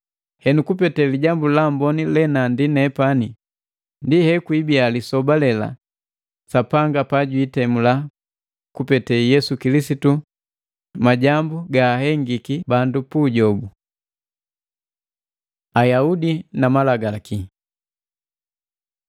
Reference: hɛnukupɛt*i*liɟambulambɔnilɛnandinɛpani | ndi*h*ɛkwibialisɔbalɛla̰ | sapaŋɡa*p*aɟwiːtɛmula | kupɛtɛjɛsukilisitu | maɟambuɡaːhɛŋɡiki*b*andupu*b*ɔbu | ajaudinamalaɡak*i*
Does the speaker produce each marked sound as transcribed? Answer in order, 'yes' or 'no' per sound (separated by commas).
no, yes, yes, yes, no, yes